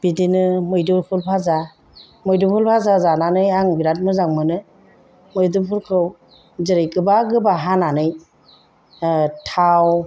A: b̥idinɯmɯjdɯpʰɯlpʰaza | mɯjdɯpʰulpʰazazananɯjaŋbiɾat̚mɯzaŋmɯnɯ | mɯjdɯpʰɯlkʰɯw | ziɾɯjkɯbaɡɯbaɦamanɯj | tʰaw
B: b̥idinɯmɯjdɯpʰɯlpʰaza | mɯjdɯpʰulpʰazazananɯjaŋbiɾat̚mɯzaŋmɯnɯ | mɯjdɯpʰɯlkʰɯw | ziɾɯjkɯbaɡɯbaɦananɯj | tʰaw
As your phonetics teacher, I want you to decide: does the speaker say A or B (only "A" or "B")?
B